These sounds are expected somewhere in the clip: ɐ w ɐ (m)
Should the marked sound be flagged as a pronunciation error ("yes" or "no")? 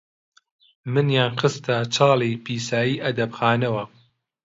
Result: yes